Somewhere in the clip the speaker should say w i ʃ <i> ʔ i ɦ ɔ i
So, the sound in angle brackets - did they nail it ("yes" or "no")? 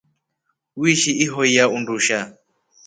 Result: yes